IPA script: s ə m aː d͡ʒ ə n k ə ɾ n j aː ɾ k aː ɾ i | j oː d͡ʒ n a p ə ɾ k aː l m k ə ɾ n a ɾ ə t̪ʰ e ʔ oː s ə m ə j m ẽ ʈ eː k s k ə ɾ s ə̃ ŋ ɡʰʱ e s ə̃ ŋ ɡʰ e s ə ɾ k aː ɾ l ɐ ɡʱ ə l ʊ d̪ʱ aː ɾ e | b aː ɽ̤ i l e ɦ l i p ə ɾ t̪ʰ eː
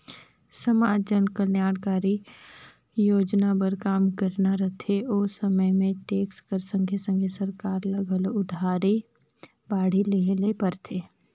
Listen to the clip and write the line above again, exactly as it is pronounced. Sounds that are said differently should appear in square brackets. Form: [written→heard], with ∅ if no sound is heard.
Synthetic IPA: s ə m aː d͡ʒ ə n k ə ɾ n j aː [ɾ→ɽ] k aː ɾ i | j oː d͡ʒ n a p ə ɾ k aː [l→∅] m k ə ɾ n a ɾ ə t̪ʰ e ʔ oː s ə m ə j m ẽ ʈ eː k s k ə ɾ s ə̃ ŋ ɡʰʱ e s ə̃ ŋ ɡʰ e s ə ɾ k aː ɾ l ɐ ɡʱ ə l ʊ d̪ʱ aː ɾ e | b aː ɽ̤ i l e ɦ l [i→e] p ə ɾ t̪ʰ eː